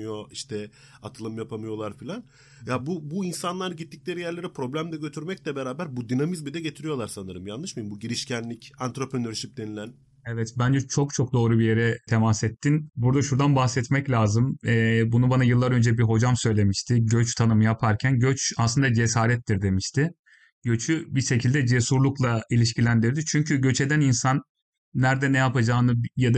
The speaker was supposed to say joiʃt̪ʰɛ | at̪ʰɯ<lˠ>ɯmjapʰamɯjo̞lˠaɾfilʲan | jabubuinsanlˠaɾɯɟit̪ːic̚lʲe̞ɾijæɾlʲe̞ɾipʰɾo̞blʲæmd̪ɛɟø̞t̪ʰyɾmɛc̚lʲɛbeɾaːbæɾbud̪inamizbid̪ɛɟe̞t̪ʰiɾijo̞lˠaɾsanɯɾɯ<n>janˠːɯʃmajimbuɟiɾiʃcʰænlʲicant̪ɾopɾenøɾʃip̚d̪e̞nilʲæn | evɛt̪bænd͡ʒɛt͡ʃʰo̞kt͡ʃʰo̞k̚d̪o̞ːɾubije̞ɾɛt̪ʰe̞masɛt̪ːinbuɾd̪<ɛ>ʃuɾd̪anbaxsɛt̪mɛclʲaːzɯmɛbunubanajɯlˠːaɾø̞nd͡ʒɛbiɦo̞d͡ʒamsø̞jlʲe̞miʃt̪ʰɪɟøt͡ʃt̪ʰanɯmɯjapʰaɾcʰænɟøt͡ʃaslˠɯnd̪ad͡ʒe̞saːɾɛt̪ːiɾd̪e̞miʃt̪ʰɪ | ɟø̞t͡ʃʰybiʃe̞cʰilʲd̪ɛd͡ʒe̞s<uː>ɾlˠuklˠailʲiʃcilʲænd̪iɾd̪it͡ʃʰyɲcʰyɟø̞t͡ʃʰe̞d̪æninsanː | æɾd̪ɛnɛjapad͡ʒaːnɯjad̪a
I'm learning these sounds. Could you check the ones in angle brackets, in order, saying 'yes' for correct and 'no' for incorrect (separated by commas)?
yes, no, no, no